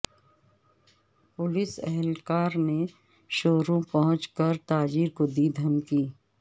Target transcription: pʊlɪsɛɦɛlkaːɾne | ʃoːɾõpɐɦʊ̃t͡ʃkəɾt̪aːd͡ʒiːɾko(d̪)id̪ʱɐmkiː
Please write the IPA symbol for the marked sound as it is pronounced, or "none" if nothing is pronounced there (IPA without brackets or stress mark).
d̪